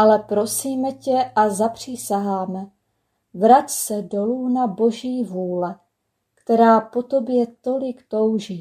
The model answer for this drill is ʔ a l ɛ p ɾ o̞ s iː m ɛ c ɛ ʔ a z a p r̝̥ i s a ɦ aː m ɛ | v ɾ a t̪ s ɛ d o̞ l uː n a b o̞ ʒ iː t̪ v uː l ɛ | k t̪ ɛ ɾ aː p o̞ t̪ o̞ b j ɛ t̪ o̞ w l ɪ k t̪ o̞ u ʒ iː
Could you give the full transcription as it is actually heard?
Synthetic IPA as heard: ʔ a l ɛ p ɾ o̞ s iː m ɛ c ɛ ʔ a z a p r̝̥ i s a ɦ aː m ɛ | v ɾ a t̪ s ɛ d o̞ l uː n a b o̞ ʒ iː v uː l ɛ | k t̪ ɛ ɾ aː p o̞ t̪ o̞ b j ɛ t̪ o̞ l ɪ k t̪ o̞ w ʒ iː